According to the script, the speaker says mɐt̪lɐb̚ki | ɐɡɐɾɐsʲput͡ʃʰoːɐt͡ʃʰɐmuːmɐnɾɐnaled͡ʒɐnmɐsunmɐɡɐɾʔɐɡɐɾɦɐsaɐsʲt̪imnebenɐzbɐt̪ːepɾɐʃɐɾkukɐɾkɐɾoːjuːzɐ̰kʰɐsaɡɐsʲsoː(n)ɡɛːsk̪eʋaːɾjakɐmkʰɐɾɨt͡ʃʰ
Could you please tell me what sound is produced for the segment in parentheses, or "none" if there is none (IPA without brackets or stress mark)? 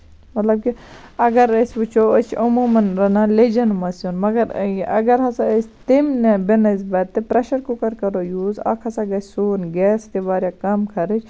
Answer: n